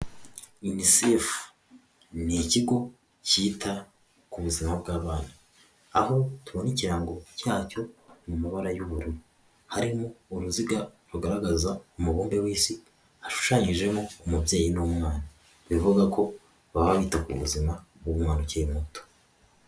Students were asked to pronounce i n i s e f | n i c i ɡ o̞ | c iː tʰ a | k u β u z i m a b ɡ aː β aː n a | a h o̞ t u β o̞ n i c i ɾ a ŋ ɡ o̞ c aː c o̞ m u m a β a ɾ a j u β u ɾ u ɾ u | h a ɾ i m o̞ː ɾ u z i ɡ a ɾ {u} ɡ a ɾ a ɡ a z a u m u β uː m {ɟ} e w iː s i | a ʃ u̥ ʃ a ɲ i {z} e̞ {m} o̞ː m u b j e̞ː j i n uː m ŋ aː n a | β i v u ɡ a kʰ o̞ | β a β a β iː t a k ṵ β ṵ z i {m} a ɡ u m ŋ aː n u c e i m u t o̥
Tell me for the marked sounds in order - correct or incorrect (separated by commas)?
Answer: correct, incorrect, incorrect, correct, correct